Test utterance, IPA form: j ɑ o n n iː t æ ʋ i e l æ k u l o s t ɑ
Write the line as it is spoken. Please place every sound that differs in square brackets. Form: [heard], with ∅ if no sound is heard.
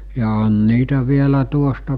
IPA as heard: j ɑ o n n iː t æ ʋ i e l æ [t] u [∅] o s t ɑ